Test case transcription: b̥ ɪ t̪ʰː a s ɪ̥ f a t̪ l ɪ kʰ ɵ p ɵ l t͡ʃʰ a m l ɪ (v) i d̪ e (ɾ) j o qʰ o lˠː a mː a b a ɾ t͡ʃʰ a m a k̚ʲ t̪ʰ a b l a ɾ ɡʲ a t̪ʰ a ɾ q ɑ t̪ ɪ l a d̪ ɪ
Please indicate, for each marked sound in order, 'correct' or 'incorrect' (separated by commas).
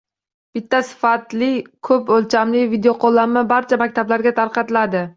correct, incorrect